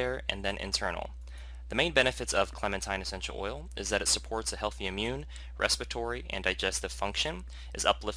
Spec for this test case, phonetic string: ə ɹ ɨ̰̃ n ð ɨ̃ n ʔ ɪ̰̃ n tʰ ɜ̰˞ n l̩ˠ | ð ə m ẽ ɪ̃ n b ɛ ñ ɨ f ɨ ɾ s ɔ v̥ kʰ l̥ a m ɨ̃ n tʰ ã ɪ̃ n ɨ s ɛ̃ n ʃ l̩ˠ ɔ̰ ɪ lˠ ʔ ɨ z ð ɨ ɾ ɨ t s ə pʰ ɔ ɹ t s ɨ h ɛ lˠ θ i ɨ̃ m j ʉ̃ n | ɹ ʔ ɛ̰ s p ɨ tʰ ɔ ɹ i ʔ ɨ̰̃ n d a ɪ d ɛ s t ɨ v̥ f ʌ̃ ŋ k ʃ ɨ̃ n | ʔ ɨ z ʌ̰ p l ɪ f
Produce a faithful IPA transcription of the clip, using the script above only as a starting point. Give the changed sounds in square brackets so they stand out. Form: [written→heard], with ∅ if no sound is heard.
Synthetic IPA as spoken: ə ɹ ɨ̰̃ n ð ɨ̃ n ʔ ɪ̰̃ n tʰ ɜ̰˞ n l̩ˠ | ð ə m ẽ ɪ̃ n b ɛ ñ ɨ f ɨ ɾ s [ɔ→ʌ] v̥ kʰ l̥ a m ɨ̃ n tʰ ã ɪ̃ n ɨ s ɛ̃ n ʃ l̩ˠ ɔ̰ ɪ lˠ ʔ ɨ z ð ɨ ɾ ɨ t s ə pʰ ɔ ɹ t s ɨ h ɛ lˠ θ i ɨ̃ m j ʉ̃ n | ɹ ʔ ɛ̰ s p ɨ tʰ ɔ ɹ i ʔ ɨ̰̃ n d a ɪ [d→d͡ʒ] ɛ s t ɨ v̥ f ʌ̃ ŋ k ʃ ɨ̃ n | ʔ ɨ z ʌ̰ p l ɪ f

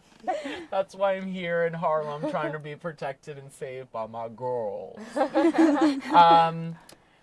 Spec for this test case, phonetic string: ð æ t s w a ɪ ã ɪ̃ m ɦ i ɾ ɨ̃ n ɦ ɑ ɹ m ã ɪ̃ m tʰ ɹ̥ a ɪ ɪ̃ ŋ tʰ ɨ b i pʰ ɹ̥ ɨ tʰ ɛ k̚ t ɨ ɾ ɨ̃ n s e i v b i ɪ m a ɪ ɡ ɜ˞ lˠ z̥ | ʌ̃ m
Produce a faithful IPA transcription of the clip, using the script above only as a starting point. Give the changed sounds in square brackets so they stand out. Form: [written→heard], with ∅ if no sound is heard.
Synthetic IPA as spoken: ð æ t s w a ɪ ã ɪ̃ m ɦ i [ɾ→ɹ] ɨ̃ n ɦ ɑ ɹ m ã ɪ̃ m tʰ ɹ̥ a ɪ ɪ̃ ŋ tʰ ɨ b i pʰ ɹ̥ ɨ tʰ ɛ k̚ t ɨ ɾ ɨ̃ n s e [i→ɪ] v b [i→a] ɪ m a ɪ ɡ ɜ˞ lˠ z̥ | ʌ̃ m

